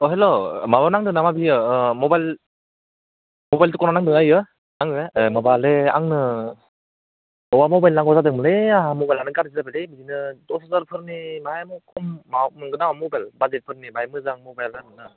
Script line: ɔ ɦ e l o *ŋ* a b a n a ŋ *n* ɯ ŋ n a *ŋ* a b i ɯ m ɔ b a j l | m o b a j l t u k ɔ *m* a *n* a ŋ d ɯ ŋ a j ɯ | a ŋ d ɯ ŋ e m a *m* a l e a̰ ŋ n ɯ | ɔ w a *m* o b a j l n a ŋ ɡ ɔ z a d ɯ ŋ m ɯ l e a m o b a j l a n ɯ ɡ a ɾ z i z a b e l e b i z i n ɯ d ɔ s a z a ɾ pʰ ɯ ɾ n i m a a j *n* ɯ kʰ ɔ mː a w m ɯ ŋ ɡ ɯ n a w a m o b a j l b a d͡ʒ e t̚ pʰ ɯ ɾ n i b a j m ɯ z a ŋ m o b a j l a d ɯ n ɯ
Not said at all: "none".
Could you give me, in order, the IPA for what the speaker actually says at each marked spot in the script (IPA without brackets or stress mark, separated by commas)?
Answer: m, d, m, n, n, b, m, m